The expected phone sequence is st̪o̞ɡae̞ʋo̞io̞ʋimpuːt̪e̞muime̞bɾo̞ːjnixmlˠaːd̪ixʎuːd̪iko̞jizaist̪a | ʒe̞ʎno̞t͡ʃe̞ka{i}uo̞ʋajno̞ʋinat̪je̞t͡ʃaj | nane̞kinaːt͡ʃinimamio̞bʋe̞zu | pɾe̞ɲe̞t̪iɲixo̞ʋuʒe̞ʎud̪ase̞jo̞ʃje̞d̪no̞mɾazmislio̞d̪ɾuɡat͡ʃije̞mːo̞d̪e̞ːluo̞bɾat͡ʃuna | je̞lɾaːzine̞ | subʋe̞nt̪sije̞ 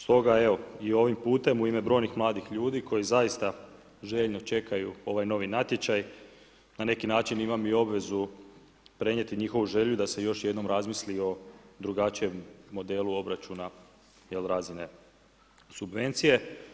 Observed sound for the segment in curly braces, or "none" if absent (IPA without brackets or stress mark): j